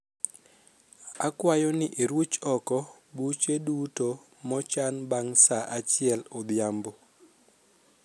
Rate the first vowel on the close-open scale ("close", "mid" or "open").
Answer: open